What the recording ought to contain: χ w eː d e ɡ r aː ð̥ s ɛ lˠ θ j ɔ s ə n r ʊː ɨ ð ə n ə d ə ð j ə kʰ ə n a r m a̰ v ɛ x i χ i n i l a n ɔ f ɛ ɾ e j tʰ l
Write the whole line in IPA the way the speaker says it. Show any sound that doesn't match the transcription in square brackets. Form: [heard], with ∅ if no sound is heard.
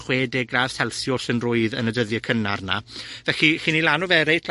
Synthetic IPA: χ w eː d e ɡ r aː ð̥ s ɛ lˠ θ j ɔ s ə n r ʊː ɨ ð ə n ə d ə ð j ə kʰ ə n a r [n] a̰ v ɛ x i χ i n i l a n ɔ [v] ɛ ɾ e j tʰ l

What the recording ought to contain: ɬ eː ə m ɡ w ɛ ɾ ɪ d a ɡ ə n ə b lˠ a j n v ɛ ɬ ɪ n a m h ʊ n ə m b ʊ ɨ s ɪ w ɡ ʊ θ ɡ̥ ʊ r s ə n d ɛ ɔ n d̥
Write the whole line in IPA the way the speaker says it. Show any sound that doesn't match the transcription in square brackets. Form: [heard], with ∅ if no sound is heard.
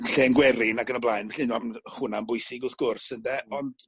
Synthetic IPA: ɬ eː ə [n] ɡ w ɛ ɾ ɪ [n] a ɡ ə n ə b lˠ a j n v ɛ ɬ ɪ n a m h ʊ n [a] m b ʊ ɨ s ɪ [∅] ɡ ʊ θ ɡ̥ ʊ r s ə n d ɛ ɔ n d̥

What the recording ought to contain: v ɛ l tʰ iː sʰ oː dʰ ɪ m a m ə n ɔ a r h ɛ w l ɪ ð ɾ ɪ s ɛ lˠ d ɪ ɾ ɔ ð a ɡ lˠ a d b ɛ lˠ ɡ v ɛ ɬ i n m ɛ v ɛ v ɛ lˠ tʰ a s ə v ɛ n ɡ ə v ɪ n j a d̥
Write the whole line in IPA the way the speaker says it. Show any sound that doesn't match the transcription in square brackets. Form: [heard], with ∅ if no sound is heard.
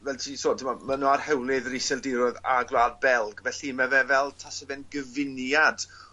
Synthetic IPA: v ɛ l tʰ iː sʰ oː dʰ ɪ m a m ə n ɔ a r h ɛ w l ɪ ð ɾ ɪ s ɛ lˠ d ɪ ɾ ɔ ð a ɡ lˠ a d b ɛ lˠ ɡ v ɛ ɬ i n m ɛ v ɛ v ɛ lˠ tʰ a s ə v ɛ n ɡ ə v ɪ n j a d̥

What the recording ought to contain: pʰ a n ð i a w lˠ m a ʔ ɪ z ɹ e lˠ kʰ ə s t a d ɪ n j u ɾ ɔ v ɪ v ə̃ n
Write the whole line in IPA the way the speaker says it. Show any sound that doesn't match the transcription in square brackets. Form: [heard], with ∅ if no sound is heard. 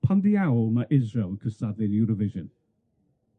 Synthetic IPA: pʰ a n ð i a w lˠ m a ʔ ɪ z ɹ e lˠ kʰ ə s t a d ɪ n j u ɾ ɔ v ɪ [ʒ] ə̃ n

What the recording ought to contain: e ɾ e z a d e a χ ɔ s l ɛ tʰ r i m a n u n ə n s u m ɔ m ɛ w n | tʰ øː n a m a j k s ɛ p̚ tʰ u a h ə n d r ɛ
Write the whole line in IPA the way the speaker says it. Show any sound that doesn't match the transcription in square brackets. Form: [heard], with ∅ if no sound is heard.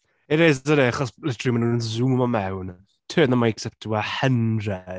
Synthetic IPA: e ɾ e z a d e a χ ɔ s l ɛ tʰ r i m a n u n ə n [z] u m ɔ m ɛ w n | tʰ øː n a m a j k s ɛ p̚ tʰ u a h ə n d r ɛ

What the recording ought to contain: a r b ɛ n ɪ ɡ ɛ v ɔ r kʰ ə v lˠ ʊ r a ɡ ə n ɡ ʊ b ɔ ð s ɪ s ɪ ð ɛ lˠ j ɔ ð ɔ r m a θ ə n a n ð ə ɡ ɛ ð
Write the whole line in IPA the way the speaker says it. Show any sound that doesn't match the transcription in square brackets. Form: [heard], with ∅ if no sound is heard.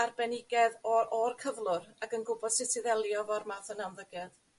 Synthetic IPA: a r b ɛ n ɪ ɡ ɛ [ð] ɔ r kʰ ə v lˠ ʊ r a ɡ ə n ɡ ʊ b ɔ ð s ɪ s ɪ ð ɛ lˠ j ɔ [v] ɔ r m a θ ə n a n ð ə ɡ ɛ ð

